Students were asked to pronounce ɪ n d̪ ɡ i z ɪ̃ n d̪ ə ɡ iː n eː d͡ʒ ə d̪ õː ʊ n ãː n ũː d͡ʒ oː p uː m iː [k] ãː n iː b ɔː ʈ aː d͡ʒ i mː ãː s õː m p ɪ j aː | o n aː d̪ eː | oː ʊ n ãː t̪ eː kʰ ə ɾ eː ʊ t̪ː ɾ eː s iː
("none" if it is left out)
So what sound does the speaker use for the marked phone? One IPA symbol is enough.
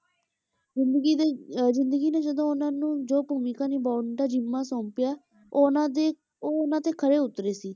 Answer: k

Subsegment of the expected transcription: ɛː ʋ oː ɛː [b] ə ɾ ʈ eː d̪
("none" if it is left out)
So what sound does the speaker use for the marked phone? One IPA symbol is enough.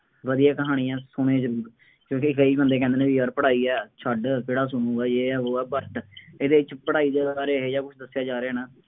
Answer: b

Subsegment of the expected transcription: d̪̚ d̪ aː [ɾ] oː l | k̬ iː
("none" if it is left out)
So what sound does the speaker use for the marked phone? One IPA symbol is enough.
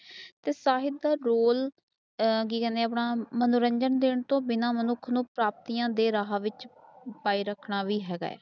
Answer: ɾ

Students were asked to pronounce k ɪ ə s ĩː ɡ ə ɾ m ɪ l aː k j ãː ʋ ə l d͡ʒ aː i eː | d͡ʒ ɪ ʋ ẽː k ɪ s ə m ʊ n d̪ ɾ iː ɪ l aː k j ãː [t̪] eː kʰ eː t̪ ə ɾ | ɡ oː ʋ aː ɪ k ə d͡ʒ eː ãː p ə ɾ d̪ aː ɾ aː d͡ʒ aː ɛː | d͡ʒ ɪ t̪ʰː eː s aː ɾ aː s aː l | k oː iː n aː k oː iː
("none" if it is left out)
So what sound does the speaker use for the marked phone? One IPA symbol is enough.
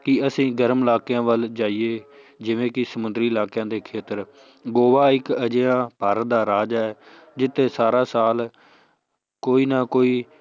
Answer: d̪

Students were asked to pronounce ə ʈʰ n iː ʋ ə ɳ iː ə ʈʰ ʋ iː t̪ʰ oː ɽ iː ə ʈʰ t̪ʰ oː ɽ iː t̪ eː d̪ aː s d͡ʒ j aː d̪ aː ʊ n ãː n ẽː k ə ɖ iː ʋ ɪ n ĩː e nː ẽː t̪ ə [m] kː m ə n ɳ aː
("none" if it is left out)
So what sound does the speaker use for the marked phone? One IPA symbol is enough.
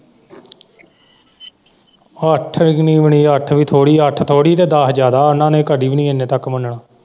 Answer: none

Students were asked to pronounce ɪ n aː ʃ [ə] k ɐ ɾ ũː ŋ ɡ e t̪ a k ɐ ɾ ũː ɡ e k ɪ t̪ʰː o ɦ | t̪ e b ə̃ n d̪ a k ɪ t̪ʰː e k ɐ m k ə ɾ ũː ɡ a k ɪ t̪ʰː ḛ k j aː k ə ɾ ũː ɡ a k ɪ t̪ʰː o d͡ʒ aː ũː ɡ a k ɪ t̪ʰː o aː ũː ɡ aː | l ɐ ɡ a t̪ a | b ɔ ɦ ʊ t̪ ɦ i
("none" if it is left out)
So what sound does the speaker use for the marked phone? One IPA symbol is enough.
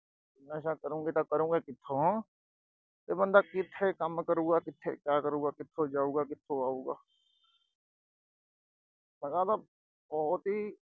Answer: a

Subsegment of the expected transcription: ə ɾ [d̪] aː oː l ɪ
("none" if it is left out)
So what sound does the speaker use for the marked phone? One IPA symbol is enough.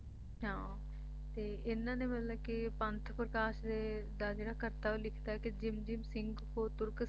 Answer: t̪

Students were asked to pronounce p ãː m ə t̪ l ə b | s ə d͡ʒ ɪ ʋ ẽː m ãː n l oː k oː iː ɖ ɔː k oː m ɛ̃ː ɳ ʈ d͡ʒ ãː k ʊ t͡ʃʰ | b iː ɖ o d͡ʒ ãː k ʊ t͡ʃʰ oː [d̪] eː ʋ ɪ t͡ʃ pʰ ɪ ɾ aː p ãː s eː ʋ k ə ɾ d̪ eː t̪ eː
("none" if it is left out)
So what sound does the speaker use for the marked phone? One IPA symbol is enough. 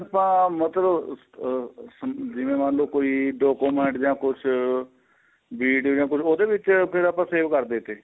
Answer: d̪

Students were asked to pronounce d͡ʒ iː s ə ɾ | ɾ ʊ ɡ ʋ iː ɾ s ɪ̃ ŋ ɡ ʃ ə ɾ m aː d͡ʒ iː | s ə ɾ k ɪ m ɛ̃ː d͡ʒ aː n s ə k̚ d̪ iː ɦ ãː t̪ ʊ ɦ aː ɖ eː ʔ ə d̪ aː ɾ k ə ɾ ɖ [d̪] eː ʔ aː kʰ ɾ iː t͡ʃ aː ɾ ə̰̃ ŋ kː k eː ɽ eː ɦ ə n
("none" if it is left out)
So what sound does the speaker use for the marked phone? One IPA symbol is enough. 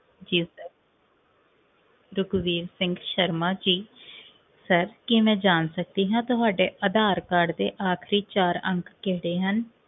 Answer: d̪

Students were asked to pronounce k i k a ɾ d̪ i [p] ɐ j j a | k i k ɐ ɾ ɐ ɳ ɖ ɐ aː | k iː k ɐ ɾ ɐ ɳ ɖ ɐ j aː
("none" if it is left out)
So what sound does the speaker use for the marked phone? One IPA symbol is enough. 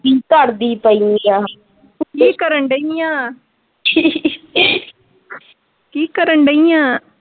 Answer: p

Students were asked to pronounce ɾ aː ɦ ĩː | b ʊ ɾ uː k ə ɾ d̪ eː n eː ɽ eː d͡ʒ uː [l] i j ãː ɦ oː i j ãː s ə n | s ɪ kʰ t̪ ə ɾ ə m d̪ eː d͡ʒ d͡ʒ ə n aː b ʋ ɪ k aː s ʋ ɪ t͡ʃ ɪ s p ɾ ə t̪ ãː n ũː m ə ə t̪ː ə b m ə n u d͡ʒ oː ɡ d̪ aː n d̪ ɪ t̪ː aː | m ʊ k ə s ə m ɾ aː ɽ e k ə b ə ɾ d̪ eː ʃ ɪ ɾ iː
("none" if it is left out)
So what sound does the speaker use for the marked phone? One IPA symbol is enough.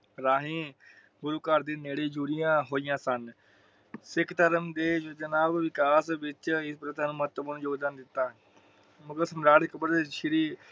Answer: ɾ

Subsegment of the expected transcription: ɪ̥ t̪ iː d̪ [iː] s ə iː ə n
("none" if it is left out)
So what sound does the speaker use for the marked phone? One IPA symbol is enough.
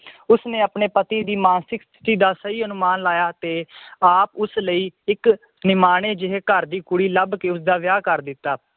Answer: aː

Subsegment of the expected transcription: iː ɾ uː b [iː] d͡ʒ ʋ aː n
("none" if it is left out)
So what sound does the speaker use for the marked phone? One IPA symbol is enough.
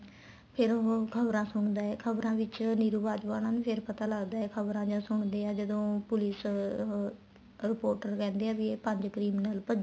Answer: aː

